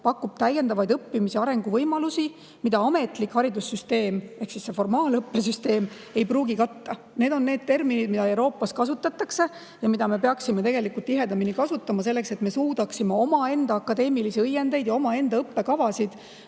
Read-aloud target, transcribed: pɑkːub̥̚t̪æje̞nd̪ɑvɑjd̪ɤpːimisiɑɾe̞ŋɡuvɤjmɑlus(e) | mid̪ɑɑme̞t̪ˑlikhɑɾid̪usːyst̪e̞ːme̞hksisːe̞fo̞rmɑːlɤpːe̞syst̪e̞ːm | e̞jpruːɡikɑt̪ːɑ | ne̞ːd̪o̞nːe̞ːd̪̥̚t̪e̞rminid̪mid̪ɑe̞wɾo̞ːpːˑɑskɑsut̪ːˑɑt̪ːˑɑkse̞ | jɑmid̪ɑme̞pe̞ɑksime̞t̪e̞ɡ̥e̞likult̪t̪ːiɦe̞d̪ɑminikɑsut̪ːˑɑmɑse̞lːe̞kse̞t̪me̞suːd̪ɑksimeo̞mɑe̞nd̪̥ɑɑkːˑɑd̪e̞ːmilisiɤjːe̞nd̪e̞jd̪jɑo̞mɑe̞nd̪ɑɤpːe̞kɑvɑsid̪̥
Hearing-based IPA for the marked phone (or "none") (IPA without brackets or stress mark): i